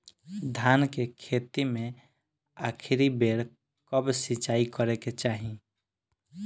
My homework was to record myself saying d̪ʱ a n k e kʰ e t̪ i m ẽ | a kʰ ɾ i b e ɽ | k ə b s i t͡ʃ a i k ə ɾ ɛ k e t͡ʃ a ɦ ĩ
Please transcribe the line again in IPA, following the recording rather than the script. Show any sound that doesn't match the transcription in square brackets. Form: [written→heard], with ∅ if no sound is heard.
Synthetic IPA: d̪ʱ a n k e kʰ e t̪ i m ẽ | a kʰ ɾ i b e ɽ | k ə b s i t͡ʃ a i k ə ɾ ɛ k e t͡ʃ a ɦ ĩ

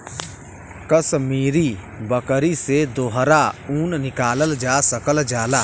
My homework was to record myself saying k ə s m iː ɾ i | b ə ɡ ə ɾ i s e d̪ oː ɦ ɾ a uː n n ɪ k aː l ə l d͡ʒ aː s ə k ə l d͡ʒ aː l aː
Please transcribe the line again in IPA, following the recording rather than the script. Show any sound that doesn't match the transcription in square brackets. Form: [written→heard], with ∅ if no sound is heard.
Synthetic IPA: k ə s m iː ɾ i | b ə [ɡ→k] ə ɾ i s e d̪ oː ɦ ɾ a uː n n ɪ k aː l ə l d͡ʒ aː s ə k ə l d͡ʒ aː l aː

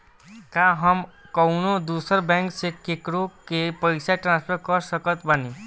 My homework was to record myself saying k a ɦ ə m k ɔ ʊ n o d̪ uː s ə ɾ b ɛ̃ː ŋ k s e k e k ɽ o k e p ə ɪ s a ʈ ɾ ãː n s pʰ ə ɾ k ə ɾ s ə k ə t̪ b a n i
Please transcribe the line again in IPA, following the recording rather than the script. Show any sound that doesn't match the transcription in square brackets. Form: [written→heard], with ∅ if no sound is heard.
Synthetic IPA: k a ɦ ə m k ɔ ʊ n o d̪ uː s ə ɾ b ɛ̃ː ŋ k s e k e k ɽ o k e p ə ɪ s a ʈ ɾ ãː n s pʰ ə ɾ k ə ɾ s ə k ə t̪ b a n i

